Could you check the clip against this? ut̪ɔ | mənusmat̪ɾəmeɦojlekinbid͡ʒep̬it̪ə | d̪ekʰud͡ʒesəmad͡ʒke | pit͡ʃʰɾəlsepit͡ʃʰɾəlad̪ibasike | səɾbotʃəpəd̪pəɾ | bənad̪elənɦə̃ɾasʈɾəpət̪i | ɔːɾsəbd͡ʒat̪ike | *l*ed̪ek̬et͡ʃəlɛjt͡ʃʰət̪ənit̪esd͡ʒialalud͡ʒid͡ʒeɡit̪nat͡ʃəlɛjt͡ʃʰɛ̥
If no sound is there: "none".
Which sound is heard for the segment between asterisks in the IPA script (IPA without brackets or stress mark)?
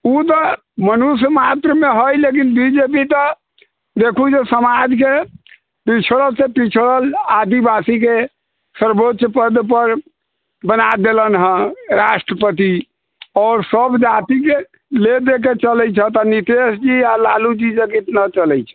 l